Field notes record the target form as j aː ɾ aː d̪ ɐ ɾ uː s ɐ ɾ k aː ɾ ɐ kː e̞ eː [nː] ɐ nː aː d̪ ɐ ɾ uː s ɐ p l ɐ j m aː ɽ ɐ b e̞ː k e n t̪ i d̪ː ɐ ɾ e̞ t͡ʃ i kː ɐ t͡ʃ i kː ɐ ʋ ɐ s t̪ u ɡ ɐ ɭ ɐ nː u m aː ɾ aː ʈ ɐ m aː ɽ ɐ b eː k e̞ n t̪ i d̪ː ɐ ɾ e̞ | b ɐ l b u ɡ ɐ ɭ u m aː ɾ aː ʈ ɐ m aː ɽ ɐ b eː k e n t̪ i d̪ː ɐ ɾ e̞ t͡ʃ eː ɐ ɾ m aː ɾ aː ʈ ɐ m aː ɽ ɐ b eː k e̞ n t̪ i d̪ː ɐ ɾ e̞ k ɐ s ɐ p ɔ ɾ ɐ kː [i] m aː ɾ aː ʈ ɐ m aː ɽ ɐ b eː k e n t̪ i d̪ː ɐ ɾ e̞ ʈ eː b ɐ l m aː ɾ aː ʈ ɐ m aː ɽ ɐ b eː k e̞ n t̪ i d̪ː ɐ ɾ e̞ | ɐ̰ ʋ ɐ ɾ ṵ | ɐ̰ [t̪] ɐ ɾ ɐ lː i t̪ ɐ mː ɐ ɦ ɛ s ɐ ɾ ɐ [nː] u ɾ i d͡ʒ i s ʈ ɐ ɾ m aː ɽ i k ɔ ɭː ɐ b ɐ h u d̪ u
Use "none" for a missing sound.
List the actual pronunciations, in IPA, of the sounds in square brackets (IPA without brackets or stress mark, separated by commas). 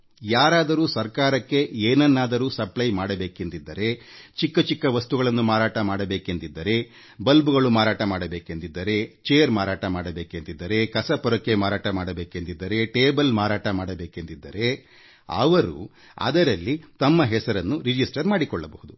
n, e, d̪, nː